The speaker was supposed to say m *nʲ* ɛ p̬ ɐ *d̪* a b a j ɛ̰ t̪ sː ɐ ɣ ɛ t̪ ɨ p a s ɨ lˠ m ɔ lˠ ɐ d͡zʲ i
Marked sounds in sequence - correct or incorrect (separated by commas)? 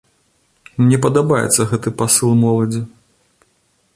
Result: correct, correct